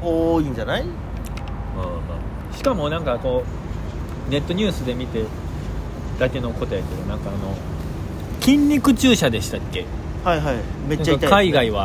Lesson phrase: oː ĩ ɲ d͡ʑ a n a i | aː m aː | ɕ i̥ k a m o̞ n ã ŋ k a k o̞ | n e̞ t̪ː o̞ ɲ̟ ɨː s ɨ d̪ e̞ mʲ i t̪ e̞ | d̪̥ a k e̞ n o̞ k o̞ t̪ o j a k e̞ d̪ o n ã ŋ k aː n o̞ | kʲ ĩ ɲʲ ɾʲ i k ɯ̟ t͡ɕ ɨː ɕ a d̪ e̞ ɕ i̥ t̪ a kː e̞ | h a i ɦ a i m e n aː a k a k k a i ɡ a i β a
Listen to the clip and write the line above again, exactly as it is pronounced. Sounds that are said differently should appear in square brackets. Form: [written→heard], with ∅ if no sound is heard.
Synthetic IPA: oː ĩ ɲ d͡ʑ a n a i | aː m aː | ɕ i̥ k a m o̞ n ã ŋ k a k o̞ | n e̞ t̪ː o̞ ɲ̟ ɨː s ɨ d̪ e̞ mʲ i t̪ e̞ | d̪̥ a k e̞ n o̞ k o̞ t̪ o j a k e̞ d̪ o n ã ŋ k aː n o̞ | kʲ ĩ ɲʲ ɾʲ i k ɯ̟ t͡ɕ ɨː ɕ a d̪ e̞ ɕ i̥ t̪ a kː e̞ | h a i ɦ a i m e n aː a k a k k a i ɡ a i β a